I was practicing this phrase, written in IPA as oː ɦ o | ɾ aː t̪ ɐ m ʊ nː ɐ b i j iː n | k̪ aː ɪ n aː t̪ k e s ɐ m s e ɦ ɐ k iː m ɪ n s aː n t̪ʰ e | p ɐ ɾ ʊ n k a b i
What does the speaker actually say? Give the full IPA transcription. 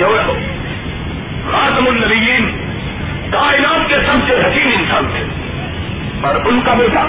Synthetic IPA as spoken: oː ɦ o | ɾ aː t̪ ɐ m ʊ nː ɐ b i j iː n | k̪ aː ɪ n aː t̪ k e s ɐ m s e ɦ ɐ k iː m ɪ n s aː n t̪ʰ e | p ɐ ɾ ʊ n k a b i